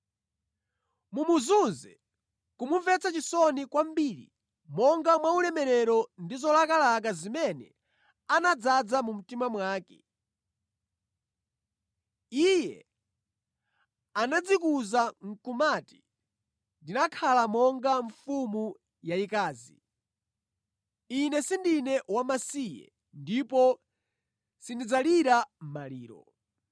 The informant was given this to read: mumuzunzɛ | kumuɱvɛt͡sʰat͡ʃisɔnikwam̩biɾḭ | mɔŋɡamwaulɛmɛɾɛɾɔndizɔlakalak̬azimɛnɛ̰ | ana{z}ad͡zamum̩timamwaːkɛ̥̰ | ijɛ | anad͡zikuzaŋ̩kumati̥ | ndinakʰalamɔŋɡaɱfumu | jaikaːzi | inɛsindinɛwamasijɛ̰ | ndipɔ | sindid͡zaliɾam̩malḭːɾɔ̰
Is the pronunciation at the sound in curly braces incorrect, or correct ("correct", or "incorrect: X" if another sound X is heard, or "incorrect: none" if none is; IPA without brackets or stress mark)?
incorrect: d͡z